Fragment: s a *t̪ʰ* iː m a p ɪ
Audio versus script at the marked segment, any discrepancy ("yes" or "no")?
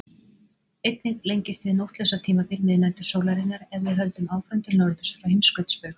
no